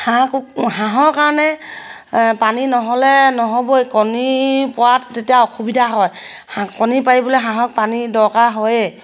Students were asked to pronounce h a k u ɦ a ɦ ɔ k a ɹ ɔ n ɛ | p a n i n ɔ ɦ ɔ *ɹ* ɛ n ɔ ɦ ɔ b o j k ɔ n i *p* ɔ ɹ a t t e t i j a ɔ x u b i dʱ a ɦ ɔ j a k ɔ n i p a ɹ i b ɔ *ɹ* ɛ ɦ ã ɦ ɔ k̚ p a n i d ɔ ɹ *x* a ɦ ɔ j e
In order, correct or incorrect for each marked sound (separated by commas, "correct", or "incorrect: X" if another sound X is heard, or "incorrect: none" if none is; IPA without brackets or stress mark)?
incorrect: l, correct, incorrect: l, incorrect: k